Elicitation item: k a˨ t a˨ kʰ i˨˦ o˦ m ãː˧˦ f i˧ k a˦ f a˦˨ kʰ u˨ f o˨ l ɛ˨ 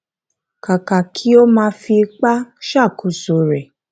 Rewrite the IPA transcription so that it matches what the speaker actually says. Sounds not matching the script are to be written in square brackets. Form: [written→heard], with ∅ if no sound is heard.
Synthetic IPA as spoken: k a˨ [t→k] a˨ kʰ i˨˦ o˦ m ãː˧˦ f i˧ [k→k͡p] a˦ [f→ʃ] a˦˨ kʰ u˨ [f→s] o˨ [l→ɾ] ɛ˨